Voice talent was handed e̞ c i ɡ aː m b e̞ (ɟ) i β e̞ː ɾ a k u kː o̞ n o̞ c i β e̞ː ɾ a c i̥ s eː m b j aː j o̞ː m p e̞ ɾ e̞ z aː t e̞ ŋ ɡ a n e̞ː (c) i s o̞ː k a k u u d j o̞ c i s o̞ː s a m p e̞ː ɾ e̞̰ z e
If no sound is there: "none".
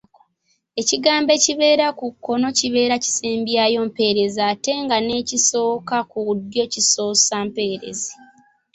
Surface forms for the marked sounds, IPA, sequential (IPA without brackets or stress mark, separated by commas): c, c